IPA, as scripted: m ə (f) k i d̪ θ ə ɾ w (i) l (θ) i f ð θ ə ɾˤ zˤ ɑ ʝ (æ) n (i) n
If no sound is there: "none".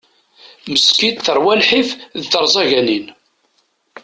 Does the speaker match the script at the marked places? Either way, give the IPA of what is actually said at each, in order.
s, æ, ħ, æ, i

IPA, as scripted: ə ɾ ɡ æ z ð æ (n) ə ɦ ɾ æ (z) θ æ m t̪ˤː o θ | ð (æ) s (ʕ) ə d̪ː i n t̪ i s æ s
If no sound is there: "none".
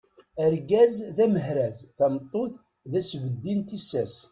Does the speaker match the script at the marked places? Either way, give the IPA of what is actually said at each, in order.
m, z, æ, v

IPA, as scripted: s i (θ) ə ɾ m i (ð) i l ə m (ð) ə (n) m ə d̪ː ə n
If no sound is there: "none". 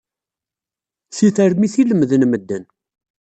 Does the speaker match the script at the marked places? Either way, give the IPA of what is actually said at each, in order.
θ, θ, ð, n

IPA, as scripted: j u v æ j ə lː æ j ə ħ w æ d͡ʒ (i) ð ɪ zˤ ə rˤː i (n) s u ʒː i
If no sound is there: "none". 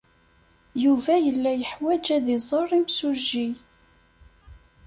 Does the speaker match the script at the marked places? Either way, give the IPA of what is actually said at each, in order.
æ, m

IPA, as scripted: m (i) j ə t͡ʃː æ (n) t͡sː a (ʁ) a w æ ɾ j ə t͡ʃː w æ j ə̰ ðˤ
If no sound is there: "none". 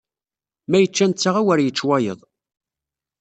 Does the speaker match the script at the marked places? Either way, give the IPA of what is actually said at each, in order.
æ, n, ʁ

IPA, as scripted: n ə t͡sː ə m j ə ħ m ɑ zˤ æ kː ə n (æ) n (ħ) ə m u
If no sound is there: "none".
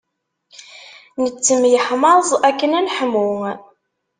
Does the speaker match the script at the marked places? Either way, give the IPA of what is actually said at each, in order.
æ, ħ

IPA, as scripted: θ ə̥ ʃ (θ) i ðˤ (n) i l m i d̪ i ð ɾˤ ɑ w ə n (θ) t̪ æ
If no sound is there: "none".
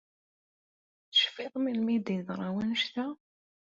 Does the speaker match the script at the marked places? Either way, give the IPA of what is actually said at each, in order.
f, m, ʃ

